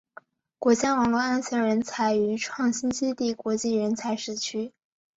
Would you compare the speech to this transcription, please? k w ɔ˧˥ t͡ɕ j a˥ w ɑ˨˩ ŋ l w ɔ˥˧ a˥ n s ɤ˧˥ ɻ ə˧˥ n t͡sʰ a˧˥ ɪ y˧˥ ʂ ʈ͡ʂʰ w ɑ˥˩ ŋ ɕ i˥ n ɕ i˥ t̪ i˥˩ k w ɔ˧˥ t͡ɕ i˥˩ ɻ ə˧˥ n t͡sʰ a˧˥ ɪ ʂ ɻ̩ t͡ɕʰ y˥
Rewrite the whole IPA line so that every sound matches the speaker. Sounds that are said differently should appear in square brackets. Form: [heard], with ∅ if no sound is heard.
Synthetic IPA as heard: k w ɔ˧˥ t͡ɕ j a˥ w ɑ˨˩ ŋ l w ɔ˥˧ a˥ n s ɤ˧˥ ɻ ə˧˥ n t͡sʰ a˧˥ ɪ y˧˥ [∅] ʈ͡ʂʰ w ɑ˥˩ ŋ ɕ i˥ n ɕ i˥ t̪ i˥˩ k w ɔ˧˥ t͡ɕ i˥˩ ɻ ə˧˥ n t͡sʰ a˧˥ ɪ ʂ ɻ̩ t͡ɕʰ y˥